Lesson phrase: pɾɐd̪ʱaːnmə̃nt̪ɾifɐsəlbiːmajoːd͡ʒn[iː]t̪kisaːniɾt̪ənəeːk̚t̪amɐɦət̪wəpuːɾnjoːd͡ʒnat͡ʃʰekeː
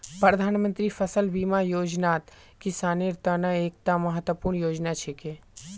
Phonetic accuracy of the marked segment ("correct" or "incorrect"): incorrect